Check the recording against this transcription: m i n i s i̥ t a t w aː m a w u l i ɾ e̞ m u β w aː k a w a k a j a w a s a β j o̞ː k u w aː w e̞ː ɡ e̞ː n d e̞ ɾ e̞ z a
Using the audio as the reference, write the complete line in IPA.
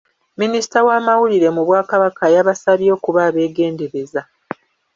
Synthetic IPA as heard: m i n i s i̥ t a w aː m a w u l i ɾ e̞ m u β w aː k a β a k a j a β a s a β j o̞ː k u β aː β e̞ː ɡ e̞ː n d e̞ ɾ e̞ z a